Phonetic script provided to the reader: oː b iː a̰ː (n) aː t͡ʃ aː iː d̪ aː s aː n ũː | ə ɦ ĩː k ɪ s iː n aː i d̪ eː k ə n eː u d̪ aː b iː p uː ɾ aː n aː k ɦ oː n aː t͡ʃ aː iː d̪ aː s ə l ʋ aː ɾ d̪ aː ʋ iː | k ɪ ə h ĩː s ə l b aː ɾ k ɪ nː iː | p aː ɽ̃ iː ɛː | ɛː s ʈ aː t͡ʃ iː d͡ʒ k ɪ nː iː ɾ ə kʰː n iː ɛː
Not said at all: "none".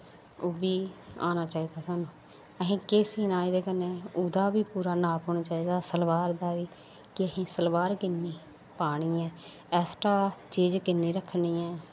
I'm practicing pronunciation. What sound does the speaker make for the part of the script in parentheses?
n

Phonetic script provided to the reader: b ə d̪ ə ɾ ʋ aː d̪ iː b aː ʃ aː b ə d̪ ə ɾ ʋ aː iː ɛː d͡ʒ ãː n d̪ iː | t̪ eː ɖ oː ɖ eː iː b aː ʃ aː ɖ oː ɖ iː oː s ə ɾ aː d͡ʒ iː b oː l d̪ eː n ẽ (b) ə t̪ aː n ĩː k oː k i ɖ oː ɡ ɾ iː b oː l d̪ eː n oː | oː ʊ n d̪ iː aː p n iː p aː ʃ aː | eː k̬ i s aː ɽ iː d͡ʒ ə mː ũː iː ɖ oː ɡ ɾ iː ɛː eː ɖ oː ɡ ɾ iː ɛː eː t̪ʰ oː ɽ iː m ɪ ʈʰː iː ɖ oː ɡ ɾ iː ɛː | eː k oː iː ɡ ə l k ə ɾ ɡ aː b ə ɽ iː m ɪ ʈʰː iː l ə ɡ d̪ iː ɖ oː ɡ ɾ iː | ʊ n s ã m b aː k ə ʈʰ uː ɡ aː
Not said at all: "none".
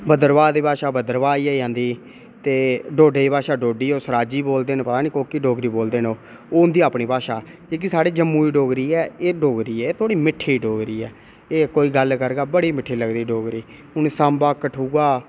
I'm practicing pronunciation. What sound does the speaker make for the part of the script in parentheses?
p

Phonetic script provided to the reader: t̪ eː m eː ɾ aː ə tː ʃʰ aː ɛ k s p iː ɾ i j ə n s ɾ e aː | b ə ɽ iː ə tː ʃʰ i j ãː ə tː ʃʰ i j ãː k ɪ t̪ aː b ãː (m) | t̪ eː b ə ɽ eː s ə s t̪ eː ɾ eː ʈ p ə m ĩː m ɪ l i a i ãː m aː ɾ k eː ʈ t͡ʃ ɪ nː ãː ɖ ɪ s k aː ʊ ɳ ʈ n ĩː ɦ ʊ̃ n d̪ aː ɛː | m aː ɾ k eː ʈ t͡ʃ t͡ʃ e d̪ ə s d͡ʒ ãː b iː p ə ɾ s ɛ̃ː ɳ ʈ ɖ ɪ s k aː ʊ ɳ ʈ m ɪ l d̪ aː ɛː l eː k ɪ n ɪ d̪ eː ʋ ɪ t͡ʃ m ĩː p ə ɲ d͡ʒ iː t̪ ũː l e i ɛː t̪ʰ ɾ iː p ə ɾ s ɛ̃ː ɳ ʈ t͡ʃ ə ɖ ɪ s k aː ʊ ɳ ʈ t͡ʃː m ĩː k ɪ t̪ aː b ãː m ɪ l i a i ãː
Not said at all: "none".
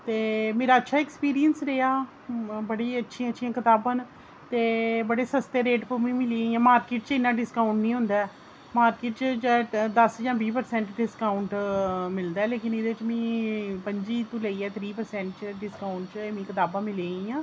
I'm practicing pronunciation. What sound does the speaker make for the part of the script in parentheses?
n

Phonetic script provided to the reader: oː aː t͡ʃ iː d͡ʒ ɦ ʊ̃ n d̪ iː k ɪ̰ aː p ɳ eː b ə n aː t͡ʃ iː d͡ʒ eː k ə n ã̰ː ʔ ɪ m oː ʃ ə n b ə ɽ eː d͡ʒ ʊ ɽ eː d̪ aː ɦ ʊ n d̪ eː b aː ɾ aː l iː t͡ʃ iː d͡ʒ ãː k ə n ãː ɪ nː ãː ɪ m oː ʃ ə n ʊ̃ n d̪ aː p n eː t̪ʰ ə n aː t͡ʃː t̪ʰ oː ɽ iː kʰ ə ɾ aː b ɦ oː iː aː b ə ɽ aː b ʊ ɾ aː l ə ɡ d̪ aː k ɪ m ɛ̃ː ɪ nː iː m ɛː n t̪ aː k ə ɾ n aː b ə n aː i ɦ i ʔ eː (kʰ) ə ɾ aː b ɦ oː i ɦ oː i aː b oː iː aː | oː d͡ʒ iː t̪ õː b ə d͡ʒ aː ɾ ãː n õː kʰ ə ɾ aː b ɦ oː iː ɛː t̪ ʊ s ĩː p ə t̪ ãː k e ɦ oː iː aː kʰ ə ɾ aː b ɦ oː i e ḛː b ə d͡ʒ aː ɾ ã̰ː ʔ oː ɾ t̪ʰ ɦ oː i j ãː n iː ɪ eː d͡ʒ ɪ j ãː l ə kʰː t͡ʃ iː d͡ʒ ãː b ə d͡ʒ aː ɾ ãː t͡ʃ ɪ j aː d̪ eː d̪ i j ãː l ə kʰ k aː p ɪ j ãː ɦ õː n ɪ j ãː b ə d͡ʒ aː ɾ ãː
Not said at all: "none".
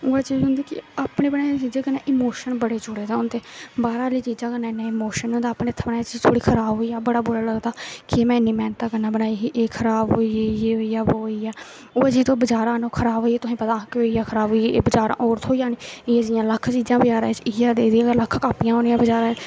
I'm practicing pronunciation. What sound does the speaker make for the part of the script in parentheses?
kʰ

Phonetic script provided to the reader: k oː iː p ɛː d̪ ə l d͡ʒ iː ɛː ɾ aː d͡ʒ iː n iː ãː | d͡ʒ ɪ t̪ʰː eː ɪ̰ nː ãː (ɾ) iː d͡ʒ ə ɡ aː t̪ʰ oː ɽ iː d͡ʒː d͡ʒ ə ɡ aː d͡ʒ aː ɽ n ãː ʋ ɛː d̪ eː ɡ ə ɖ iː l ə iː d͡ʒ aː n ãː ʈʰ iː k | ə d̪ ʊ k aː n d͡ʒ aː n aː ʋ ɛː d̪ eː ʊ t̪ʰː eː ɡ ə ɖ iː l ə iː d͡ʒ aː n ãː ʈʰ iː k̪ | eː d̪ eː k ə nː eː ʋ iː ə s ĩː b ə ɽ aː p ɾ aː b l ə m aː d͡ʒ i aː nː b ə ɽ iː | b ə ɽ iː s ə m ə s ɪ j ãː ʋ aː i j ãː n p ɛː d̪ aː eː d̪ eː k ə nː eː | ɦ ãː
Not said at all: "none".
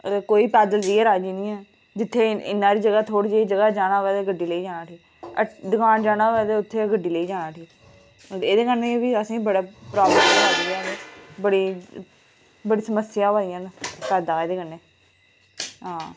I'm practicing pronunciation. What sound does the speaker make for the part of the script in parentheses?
ɾ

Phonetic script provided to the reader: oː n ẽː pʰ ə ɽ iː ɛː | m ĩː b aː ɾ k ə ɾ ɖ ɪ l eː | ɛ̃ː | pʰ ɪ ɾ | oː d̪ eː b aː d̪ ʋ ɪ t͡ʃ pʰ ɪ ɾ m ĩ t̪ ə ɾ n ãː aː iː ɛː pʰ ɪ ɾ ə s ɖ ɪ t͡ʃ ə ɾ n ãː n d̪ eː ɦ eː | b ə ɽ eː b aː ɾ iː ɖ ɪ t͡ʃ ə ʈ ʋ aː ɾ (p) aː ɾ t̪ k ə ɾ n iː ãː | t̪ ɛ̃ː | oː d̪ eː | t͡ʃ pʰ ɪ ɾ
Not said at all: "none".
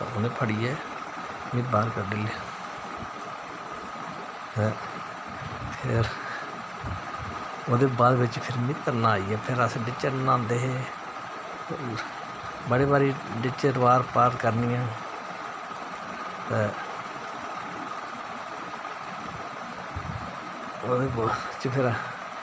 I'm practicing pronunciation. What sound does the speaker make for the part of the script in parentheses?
p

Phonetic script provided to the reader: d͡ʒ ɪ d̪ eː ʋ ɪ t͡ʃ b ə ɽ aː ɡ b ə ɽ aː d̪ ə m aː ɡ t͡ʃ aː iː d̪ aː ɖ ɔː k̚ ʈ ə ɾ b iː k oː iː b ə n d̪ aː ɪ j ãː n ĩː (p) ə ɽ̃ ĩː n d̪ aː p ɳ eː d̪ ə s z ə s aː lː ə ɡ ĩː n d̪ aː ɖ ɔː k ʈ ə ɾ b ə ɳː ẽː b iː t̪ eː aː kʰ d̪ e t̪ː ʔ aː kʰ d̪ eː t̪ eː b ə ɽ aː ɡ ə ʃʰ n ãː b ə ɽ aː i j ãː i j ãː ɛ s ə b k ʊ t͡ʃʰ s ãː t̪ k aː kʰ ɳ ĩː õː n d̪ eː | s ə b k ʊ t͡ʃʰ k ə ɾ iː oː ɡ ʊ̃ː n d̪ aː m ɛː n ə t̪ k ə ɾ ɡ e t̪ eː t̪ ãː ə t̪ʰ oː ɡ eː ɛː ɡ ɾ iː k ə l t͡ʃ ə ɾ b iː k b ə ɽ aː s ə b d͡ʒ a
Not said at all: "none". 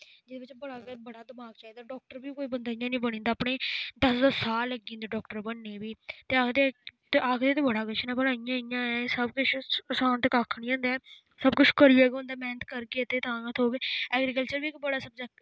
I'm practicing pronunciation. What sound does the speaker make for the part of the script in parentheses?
b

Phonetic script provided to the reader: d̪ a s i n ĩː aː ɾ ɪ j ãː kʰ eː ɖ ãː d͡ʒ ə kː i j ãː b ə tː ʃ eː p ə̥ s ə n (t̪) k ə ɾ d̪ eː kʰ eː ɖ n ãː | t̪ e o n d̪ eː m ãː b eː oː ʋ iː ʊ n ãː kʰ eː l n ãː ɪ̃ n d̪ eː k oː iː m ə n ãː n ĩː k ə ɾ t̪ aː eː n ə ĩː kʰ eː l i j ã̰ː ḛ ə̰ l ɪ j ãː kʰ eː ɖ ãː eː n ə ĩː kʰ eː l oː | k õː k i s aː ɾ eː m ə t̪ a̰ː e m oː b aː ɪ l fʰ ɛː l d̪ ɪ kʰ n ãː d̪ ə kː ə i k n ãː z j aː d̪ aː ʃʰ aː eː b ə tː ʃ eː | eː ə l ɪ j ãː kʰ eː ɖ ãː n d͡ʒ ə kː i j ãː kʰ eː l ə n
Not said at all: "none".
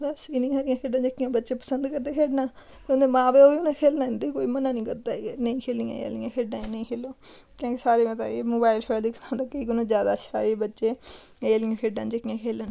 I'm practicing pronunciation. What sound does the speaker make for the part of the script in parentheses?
d̪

